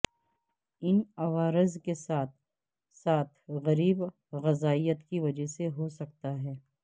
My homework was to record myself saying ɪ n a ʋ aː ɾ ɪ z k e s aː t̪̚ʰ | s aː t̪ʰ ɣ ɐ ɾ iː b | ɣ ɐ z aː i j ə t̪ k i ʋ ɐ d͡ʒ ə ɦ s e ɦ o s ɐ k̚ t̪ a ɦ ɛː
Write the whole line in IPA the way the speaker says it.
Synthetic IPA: ɪ n ɐ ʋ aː ɾ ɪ z k e s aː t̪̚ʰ | s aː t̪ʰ ɣ ɐ ɾ iː b | ɣ ɐ z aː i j ə t̪ k i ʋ ɐ d͡ʒ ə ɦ s e ɦ o s ɐ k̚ t̪ a ɦ ɛː